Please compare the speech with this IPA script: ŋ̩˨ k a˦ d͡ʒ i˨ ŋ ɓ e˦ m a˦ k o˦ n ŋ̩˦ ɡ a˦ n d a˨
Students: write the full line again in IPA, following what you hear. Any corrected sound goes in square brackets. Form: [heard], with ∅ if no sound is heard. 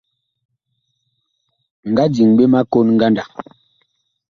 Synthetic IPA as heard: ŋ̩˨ [ɡ] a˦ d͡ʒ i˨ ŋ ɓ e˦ m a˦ k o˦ n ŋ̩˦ ɡ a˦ n d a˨